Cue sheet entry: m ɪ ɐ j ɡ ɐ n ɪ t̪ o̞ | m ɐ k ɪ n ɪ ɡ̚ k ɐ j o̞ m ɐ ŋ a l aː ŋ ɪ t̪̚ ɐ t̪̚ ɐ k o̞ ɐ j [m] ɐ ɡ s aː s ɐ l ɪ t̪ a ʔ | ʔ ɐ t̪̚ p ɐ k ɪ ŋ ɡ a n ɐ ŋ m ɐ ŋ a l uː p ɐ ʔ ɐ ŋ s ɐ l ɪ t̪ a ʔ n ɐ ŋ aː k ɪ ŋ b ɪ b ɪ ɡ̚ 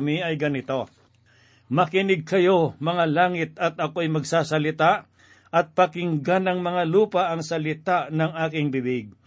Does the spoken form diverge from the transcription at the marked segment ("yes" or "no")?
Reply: no